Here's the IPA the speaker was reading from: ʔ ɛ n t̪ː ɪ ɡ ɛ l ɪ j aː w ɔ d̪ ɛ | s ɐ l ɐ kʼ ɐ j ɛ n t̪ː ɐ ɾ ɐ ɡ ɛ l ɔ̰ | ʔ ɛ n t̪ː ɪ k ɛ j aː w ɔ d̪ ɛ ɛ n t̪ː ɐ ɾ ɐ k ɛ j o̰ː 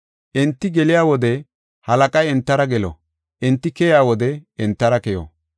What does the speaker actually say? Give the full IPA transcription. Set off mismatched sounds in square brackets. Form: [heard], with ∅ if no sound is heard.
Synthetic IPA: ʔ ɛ n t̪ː ɪ ɡ ɛ l ɪ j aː w ɔ d̪ ɛ | [h] ɐ l ɐ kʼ ɐ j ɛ n t̪ː ɐ ɾ ɐ ɡ ɛ l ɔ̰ | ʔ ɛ n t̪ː ɪ k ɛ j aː w ɔ d̪ ɛ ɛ n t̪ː ɐ ɾ ɐ k ɛ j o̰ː